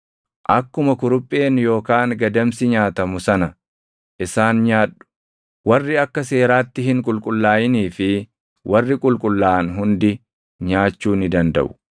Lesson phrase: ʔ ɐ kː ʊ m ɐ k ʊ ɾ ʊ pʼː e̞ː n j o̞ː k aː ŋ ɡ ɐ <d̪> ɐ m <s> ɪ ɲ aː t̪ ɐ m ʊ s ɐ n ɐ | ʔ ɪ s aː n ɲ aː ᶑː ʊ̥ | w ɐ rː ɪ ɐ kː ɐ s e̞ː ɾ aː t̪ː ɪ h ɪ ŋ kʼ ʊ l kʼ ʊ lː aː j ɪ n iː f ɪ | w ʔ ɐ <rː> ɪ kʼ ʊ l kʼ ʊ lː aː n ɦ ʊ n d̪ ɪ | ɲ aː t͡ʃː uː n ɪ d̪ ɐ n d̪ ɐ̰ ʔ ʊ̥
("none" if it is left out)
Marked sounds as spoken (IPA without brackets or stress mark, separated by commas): d̪, s, rː